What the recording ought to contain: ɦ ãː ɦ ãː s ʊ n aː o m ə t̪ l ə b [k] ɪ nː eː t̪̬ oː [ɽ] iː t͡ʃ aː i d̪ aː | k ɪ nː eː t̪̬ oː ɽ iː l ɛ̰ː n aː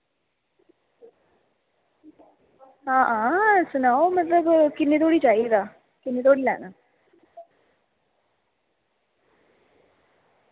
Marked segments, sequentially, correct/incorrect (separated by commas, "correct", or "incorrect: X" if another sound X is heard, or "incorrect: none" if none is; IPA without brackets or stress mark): correct, correct